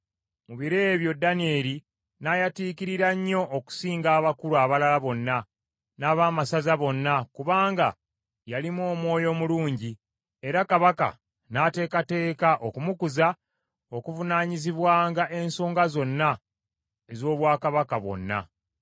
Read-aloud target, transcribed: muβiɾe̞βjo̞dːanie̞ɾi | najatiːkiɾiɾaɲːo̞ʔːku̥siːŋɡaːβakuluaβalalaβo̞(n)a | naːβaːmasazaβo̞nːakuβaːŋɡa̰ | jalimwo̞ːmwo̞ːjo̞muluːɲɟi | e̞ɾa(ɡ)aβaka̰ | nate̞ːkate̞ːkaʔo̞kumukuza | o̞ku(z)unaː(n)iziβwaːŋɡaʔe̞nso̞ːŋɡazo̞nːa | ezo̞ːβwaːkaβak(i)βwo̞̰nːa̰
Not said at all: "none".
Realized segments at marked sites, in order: nː, k, v, ɲ, a

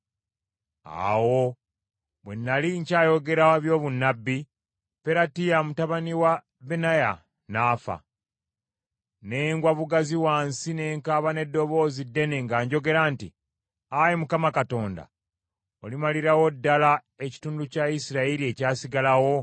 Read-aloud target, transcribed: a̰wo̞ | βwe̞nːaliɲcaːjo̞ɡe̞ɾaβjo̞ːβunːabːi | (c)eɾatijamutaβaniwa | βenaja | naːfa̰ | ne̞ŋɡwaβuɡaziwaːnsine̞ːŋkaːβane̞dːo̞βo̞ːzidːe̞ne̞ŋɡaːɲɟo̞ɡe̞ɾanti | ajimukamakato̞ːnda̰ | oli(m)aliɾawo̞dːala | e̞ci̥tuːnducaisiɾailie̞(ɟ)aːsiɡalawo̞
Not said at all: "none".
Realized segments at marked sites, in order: p, m, c

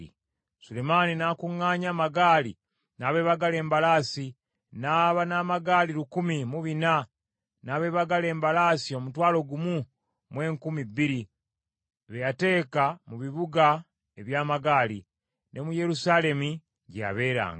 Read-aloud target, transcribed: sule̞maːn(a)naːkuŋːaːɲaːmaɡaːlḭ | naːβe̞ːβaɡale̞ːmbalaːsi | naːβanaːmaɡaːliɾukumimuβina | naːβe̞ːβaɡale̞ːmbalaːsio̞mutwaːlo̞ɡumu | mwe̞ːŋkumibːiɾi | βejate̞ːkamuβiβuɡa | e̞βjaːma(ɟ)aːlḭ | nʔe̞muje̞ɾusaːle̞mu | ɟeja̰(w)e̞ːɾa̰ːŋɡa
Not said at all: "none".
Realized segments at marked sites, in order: i, ɡ, β

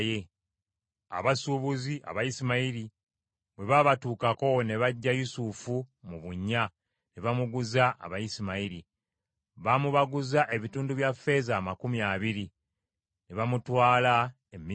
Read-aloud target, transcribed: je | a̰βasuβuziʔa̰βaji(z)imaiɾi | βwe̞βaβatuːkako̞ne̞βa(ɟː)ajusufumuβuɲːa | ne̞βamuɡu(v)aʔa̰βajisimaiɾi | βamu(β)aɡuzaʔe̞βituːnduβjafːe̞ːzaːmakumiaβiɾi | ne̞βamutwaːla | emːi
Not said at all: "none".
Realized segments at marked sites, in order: s, ɟː, z, β

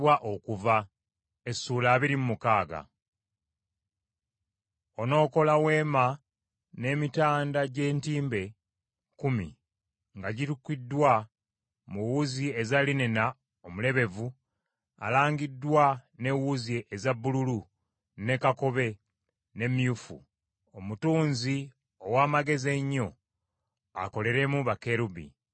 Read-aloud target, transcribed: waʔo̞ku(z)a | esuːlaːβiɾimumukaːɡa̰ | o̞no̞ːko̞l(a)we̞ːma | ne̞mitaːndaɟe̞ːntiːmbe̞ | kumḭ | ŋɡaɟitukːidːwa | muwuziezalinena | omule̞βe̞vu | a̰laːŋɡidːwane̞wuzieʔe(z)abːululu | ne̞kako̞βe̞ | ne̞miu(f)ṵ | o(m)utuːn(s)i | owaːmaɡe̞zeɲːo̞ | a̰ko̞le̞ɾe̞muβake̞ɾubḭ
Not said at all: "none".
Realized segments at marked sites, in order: v, a, z, f, m, z

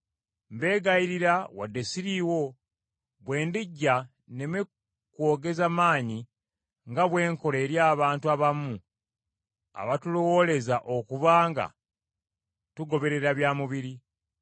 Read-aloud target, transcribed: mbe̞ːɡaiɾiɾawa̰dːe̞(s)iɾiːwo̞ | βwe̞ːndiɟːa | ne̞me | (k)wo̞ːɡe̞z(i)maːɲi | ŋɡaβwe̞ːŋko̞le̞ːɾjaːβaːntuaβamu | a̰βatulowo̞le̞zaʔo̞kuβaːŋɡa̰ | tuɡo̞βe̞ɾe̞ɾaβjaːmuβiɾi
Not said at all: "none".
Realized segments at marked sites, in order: s, k, a

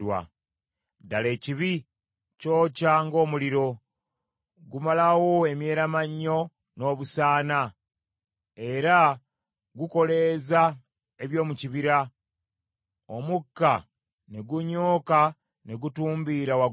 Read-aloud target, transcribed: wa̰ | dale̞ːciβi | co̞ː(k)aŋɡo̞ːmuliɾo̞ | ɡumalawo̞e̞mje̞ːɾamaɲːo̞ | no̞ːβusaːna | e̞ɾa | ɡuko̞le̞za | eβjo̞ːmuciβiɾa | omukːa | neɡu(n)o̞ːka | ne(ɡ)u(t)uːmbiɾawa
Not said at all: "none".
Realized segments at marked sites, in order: c, ɲ, ɡ, t

